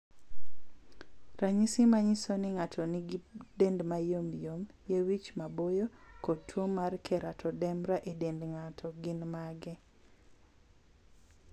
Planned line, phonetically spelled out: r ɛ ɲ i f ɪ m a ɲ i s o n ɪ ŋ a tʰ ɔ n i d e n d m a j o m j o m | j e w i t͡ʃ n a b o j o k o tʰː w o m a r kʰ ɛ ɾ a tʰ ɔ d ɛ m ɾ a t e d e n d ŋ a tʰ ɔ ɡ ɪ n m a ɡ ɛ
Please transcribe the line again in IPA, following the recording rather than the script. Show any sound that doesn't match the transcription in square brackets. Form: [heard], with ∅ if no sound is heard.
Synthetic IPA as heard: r [a] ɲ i [s] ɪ m a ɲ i s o n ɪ ŋ a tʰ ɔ n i d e n d m a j o m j o m | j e w i t͡ʃ [m] a b o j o k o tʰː w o m a r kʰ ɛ ɾ a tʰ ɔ d ɛ m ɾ a [ʔ] e d e n d ŋ a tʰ ɔ ɡ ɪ n m a ɡ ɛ